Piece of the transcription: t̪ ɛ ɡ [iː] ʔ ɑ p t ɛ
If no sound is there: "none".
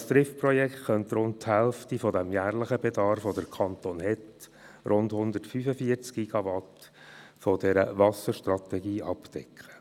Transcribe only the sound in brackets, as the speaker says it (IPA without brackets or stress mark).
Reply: iː